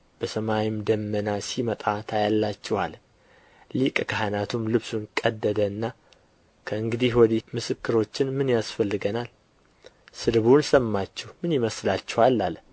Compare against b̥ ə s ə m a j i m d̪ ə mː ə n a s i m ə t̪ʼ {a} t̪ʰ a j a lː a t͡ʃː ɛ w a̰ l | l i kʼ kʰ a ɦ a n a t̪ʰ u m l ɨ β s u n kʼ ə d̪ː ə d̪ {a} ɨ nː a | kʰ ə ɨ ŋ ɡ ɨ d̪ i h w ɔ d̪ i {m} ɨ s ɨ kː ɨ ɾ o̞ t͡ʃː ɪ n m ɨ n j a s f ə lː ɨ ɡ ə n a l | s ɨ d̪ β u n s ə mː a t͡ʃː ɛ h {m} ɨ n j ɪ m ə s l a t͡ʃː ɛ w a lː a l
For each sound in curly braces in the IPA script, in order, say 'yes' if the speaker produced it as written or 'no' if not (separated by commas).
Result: yes, no, yes, yes